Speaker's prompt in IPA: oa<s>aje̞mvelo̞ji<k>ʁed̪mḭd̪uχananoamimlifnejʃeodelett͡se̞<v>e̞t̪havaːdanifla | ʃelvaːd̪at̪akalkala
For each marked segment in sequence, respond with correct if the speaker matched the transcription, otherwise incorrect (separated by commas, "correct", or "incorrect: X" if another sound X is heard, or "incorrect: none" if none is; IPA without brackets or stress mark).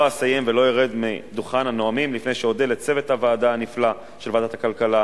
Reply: correct, incorrect: none, correct